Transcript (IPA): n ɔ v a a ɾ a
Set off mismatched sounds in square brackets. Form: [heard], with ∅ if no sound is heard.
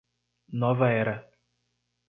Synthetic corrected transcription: n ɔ v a [ɛ] ɾ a